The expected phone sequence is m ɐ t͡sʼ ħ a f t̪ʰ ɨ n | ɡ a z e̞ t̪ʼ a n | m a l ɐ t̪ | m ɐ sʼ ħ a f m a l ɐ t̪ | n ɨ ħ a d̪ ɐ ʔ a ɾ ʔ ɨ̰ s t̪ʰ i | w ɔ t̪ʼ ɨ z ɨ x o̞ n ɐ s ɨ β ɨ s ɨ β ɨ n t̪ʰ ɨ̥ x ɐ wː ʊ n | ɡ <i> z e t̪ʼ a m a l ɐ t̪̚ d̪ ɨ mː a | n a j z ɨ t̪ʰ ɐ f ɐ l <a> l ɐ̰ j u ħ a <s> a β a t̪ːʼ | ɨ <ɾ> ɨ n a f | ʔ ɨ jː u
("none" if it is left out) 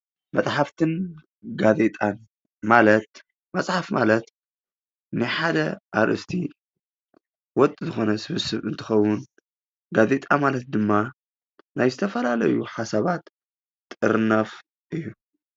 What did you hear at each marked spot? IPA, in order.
a, a, s, ɾ

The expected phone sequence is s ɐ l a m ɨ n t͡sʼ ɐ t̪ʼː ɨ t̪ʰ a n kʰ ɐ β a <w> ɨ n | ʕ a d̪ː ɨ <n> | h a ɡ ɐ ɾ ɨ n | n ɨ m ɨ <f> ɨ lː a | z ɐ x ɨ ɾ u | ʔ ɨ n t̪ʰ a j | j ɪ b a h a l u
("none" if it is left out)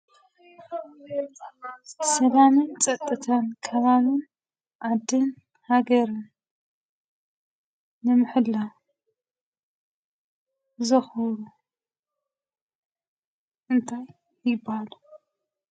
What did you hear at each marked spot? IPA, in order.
β, n, ħ

